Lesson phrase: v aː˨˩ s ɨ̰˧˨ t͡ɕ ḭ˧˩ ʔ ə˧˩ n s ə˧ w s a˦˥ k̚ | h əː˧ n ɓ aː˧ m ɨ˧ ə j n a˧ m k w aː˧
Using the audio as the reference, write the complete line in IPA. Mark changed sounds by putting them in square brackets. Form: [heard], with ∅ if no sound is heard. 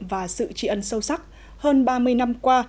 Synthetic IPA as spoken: v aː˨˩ s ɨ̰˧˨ t͡ɕ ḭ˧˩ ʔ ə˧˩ n s ə˧ w s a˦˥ k̚ | h əː˧ n ɓ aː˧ m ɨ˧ ə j n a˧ m k w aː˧